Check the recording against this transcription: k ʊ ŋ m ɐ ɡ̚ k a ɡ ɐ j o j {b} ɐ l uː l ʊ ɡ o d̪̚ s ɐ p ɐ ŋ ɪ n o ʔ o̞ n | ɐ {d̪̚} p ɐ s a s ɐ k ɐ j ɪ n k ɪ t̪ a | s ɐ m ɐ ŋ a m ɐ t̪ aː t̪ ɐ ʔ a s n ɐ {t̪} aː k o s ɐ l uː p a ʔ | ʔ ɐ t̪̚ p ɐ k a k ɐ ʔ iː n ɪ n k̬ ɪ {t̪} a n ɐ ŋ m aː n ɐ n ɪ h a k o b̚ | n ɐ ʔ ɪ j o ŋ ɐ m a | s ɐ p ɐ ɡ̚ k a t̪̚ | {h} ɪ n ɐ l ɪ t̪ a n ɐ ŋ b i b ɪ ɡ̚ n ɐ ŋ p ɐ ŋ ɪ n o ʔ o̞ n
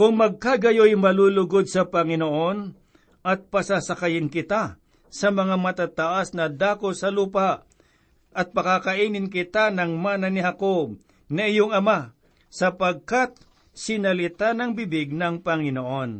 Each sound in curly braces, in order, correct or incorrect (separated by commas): incorrect, incorrect, incorrect, correct, incorrect